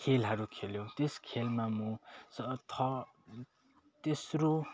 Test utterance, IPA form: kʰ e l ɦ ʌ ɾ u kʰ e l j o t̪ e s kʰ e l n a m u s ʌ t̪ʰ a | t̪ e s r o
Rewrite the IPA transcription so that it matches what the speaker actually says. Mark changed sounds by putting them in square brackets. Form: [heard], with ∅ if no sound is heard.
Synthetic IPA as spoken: kʰ e l ɦ ʌ ɾ u kʰ e l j o t̪ e s kʰ e l [m] a m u s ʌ t̪ʰ [ʌ] | t̪ e s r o

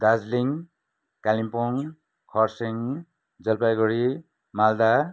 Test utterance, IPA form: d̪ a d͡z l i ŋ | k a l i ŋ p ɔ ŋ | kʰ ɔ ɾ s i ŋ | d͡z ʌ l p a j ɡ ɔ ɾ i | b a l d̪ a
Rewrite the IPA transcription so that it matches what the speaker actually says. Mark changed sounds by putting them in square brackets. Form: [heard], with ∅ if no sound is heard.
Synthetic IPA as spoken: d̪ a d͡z l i ŋ | k a l i [m] p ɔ ŋ | kʰ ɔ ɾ s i ŋ | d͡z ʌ l p a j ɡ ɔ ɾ i | [m] a l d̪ a

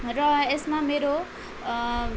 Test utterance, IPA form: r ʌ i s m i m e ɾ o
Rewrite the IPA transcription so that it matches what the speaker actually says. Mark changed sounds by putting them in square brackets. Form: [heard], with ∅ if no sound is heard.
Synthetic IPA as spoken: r ʌ [e] s m [a] m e ɾ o

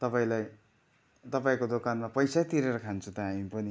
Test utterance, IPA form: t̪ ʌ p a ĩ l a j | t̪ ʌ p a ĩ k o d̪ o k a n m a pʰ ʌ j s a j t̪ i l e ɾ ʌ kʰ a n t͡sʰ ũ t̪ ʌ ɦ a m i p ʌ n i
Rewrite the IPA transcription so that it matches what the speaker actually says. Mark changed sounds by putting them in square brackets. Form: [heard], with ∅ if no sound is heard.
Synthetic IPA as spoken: t̪ ʌ p a ĩ l a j | t̪ ʌ p a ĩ k o d̪ o k a n m a [p] ʌ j s a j t̪ i [ɾ] e ɾ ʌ kʰ a n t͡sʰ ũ t̪ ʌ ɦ a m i p ʌ n i

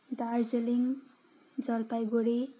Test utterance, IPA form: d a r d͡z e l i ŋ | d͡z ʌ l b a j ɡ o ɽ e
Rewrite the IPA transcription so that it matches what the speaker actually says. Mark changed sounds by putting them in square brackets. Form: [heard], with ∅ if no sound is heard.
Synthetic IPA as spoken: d a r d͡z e l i ŋ | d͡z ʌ l [p] a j ɡ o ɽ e

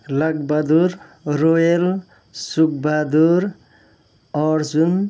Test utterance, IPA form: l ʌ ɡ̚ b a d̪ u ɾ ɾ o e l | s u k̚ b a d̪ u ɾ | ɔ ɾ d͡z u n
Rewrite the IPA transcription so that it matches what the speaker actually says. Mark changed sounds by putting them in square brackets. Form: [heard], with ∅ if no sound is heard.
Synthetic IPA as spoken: l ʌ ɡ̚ b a d̪ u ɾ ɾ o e l | s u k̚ b a d̪ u ɾ | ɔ ɾ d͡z u n

